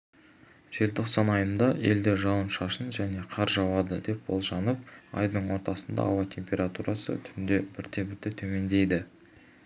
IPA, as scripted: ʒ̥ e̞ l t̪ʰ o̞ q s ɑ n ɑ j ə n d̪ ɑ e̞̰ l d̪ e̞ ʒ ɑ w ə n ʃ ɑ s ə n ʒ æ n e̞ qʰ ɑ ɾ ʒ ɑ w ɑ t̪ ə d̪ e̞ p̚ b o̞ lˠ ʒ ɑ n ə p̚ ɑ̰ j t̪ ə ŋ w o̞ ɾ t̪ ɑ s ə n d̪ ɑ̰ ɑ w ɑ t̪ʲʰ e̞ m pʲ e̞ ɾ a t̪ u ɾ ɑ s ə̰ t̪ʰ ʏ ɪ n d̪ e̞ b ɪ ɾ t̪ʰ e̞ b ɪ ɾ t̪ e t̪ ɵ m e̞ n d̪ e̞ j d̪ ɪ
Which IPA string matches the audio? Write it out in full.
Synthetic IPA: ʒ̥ e̞ l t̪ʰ o̞ q s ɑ n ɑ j ə n d̪ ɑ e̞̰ l d̪ e̞ ʒ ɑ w ə n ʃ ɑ ʃ ə n ʒ æ n e̞ qʰ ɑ ɾ ʒ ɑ w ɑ d̪ ə d̪ e̞ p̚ b o̞ lˠ ʒ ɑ n ə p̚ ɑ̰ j d̪ ə ɴ w o̞ ɾ t̪ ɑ s ə n d̪ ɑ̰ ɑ w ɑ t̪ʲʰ e̞ m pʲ e̞ ɾ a t̪ u ɾ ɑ s ə̰ t̪ʰ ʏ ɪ n d̪ e̞ b ɪ ɾ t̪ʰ e̞ b ɪ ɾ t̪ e t̪ʰ ɵ m e̞ n d̪ e̞ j d̪ ɪ